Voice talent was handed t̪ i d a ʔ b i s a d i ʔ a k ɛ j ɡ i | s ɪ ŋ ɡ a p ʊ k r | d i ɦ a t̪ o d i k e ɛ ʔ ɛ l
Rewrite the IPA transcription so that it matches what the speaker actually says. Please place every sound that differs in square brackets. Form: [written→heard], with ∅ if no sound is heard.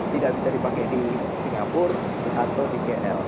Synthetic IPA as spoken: t̪ i d a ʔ b i s a d i [ʔ→p] a k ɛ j [ɡ→d] i | s [ɪ→i] ŋ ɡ a p ʊ [k→∅] r | d i ɦ a t̪ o d i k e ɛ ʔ ɛ l